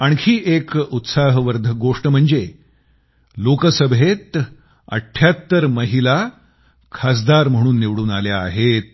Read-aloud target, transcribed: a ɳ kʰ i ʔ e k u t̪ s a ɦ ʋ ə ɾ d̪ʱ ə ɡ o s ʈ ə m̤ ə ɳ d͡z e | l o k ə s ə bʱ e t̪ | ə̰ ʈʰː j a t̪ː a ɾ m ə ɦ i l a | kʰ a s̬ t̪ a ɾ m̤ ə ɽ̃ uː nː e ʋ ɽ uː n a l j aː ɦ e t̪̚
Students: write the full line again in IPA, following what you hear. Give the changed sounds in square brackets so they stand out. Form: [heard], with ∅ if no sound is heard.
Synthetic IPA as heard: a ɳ kʰ [iː] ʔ e k u t̪ s a ɦ ʋ ə ɾ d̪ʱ ə ɡ o [ʂ] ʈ ə m̤ ə ɳ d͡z e | l o k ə s ə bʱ e t̪ | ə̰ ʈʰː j a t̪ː [ə] ɾ m ə ɦ i l a | kʰ a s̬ [d̪] a ɾ m̤ ə ɽ̃ uː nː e ʋ ɽ uː n a l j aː ɦ e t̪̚